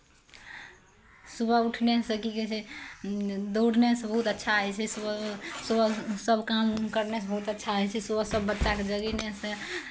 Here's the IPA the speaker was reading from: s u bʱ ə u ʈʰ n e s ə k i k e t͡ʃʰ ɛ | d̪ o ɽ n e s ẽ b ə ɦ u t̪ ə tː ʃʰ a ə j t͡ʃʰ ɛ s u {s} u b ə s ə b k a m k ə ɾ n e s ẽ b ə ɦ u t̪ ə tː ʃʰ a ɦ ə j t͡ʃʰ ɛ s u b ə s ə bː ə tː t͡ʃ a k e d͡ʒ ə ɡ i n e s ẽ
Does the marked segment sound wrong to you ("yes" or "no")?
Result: no